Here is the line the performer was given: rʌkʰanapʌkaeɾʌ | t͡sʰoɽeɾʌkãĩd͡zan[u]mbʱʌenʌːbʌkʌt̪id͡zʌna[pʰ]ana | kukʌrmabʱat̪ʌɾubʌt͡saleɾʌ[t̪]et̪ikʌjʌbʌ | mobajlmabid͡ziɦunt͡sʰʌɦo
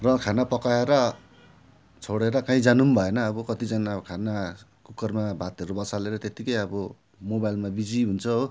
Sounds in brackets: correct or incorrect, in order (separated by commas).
correct, incorrect, correct